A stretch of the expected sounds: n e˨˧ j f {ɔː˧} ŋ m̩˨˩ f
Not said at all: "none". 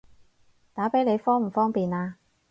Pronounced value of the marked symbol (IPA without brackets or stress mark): ɔː˥